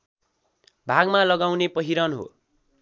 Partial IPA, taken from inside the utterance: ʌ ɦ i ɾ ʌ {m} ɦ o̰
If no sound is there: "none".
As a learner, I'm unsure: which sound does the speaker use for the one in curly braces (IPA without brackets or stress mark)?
n